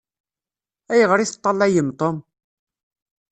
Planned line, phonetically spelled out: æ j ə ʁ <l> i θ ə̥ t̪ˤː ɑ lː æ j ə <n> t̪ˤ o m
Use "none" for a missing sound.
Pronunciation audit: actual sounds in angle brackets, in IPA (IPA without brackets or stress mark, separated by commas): ɾ, m